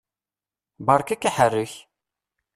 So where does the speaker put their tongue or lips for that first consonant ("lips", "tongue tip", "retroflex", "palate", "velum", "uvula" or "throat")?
lips